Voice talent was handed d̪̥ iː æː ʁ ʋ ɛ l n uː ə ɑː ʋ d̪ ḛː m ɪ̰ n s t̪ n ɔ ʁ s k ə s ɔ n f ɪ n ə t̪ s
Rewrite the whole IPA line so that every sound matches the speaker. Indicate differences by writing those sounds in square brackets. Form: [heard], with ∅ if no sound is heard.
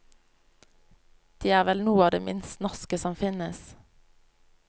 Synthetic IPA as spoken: d̪̥ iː æː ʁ ʋ ɛ l n uː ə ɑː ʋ d̪ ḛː m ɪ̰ n s t̪ n ɔ ʁ s k ə s ɔ [m] f ɪ n ə [∅] s